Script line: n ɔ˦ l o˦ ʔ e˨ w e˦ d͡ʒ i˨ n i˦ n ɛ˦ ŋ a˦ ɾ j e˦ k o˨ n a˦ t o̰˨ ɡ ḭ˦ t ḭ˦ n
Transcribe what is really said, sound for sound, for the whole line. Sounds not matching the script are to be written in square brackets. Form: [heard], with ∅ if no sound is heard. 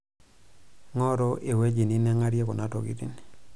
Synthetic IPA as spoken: [ŋ] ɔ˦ [ɾ] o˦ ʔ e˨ w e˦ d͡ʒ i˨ n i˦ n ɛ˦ ŋ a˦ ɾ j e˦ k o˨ n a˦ t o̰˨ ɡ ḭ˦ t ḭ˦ n